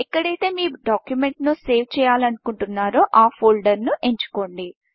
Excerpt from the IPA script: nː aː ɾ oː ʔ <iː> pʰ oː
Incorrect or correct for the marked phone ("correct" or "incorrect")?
incorrect